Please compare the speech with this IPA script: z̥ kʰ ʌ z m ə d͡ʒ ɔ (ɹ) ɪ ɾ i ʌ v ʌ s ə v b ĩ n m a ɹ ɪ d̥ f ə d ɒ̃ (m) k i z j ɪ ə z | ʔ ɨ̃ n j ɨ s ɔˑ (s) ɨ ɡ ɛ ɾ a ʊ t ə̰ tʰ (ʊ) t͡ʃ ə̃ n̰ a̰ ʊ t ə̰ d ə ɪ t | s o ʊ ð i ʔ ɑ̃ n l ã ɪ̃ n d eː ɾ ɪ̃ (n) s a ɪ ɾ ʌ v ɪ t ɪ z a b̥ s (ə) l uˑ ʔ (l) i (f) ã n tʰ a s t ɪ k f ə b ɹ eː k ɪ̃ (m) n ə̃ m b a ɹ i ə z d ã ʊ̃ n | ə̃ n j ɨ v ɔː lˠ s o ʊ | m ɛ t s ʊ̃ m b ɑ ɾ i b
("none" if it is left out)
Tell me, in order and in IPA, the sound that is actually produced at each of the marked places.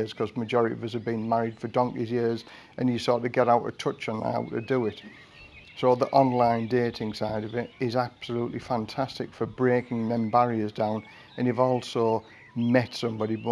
ɹ, ŋ, t, ʊ, ŋ, ə, l, f, ŋ

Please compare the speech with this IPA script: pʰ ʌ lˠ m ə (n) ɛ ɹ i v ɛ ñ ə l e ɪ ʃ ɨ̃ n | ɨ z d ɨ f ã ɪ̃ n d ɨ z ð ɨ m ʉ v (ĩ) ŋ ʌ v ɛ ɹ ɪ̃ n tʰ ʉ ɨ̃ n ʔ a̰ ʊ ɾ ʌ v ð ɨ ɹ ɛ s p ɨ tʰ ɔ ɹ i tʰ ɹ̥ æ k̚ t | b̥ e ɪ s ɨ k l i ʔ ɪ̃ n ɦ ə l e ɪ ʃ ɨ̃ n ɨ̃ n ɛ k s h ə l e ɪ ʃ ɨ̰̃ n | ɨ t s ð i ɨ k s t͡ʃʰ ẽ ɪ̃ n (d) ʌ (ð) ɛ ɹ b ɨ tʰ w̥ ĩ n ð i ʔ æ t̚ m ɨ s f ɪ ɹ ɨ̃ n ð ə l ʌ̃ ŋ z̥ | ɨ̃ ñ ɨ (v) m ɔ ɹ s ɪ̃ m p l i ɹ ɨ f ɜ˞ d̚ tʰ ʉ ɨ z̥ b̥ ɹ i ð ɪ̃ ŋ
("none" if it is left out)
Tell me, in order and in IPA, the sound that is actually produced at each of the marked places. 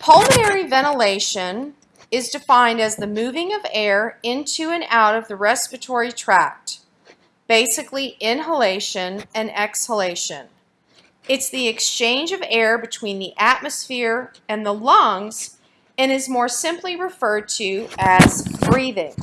n, ɪ̃, d͡ʒ, v, z

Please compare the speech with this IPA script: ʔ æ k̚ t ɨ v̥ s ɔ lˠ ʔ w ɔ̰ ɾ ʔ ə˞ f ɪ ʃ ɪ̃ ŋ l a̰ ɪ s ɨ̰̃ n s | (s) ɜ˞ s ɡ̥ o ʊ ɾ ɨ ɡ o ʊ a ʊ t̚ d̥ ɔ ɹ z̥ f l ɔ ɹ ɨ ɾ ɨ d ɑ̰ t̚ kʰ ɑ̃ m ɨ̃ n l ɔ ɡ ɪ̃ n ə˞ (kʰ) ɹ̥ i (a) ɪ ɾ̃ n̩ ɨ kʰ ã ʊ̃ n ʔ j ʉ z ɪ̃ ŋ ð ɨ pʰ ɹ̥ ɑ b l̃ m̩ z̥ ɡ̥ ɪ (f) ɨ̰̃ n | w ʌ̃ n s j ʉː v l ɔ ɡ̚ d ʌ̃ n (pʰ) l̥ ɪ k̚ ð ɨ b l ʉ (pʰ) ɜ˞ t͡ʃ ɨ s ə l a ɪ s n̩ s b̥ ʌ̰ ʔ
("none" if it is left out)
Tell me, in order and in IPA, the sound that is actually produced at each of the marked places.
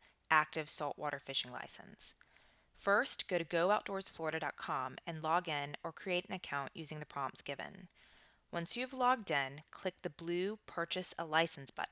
f, kʰ, e, v, kʰ, pʰ

